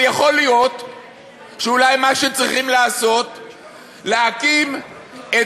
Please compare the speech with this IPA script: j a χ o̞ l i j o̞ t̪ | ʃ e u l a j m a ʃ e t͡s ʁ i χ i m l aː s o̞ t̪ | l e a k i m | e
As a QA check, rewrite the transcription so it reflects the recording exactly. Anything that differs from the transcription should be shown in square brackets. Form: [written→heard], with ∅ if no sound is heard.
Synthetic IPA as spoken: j a χ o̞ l i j o̞ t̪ | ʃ e u l a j m a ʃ e t͡s ʁ i χ i m l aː s o̞ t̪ | l e a k i m | e